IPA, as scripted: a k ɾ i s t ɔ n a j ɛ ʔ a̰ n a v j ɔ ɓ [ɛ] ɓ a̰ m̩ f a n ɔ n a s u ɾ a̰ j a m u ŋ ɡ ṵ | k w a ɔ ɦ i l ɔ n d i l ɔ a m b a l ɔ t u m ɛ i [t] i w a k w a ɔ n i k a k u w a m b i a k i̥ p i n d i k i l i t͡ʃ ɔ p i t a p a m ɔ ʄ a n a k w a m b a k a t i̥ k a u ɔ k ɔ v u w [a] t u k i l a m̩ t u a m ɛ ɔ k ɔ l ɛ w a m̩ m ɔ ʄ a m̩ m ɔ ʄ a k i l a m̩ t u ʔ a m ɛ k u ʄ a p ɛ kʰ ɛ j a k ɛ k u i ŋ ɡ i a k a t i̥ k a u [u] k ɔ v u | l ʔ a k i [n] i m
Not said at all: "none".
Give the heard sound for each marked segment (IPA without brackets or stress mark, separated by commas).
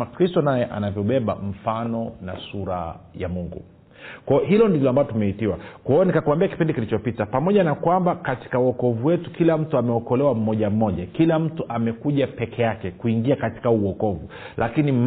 ɛ, t, ɛ, ɔ, n